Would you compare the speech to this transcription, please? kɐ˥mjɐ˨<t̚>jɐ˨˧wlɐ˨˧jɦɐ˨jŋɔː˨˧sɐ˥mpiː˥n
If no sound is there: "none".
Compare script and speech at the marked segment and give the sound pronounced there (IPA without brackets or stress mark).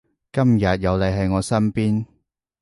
t̚